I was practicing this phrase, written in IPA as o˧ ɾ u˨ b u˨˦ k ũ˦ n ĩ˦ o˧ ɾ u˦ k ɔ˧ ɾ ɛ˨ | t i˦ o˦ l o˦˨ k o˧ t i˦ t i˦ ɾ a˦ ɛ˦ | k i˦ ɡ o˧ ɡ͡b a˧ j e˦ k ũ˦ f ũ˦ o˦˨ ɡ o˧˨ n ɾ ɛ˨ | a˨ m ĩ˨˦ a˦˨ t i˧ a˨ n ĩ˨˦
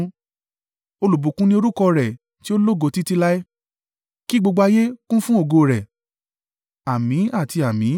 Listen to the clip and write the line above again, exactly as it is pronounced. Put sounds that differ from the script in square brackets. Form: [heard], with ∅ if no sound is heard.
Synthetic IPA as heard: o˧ [l] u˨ b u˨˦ k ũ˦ n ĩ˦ o˧ ɾ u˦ k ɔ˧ ɾ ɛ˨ | t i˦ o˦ l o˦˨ [ɡ] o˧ t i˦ t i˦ [l] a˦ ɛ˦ | k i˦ [ɡ͡b] o˧ ɡ͡b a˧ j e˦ k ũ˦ f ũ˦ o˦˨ ɡ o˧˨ [∅] ɾ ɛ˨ | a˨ m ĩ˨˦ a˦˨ t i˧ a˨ [m] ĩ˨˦

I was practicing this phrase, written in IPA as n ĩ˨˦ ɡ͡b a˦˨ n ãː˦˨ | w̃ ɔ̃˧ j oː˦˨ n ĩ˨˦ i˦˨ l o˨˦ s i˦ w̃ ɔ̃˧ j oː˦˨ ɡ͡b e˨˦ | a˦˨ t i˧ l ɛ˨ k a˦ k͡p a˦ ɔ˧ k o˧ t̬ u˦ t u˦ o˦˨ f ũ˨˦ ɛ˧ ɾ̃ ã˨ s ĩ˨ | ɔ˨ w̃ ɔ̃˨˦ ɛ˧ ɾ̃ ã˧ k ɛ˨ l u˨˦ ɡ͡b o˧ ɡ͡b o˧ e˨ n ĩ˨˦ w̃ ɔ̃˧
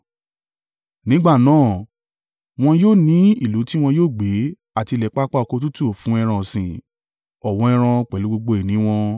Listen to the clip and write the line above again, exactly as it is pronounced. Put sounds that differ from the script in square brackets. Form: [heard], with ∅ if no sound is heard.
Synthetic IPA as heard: n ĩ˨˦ ɡ͡b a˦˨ n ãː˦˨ | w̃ ɔ̃˧ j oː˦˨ n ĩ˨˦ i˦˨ l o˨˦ [t] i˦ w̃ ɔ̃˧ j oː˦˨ ɡ͡b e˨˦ | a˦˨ t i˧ l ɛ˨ [k͡p] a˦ k͡p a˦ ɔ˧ k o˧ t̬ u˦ t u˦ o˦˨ f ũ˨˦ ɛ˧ ɾ̃ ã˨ s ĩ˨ | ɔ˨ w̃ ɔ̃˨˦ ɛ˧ ɾ̃ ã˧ [k͡p] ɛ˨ l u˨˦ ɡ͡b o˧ ɡ͡b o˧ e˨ n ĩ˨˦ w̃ ɔ̃˧

